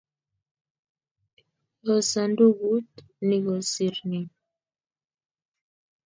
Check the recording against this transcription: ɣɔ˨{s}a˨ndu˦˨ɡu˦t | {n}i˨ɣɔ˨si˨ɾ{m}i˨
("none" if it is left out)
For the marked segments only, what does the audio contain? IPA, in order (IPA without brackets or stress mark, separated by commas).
s, n, n